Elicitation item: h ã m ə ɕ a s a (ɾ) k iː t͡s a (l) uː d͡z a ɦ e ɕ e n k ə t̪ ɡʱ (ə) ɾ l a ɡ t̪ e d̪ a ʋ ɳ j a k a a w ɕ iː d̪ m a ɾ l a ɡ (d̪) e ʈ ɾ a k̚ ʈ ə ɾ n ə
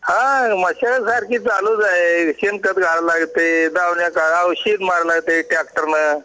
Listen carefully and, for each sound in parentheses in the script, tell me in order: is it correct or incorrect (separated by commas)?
correct, correct, incorrect, incorrect